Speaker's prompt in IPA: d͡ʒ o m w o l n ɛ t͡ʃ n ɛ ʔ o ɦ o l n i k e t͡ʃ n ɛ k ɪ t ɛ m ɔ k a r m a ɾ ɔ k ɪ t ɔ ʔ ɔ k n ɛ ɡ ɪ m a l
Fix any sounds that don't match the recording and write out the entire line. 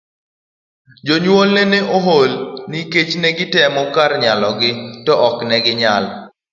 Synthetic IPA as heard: d͡ʒ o ɲ w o l n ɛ n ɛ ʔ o ɦ o l n i k e t͡ʃ n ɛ ɡ ɪ t ɛ m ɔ k a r ɲ a l ɔ ɡ ɪ t ɔ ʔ ɔ k n ɛ ɡ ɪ ɲ a l